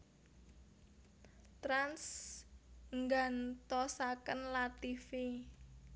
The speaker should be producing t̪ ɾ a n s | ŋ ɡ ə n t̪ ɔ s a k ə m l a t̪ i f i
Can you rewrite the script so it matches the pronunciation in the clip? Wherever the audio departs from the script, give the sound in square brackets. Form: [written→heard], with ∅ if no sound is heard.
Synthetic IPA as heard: t̪ ɾ a n s | ŋ ɡ [ə→a] n t̪ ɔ s a k ə [m→n] l a t̪ i f i